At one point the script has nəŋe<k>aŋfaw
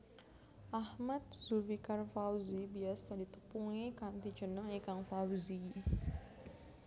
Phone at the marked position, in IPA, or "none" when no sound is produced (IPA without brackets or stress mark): k